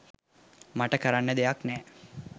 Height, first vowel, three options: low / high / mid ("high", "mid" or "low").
low